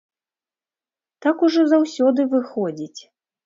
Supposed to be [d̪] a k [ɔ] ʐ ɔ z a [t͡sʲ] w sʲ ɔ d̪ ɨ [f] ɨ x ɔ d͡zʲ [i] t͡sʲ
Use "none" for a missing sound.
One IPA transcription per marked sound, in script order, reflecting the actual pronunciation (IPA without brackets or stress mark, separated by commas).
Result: t̪, u, none, v, i